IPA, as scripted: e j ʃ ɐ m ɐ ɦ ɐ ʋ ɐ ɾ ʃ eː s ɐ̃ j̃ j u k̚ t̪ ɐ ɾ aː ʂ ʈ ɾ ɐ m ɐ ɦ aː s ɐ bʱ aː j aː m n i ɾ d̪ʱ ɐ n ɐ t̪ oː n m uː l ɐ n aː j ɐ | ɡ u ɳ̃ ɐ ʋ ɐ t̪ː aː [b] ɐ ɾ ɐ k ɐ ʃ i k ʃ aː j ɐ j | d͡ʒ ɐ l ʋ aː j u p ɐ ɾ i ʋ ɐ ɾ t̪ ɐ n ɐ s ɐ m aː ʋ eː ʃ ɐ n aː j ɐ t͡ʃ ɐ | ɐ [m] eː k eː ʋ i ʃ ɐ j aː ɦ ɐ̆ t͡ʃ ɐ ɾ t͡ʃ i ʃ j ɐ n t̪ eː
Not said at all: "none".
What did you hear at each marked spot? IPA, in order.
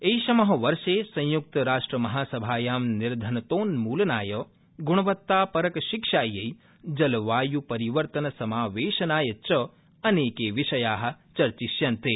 p, n

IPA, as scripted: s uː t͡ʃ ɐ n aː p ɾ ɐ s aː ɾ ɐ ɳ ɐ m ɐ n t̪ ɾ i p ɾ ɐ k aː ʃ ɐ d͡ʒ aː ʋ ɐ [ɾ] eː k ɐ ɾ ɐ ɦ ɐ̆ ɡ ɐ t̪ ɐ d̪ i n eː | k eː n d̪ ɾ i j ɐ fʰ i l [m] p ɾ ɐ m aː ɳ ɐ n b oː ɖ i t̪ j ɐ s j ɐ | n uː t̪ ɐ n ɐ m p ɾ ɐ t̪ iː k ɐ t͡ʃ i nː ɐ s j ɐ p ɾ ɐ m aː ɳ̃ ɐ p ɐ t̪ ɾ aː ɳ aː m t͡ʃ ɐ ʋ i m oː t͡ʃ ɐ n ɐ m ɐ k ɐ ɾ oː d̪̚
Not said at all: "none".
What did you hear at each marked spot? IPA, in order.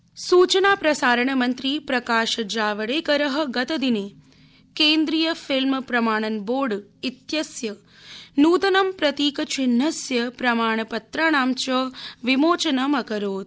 ɽ, m

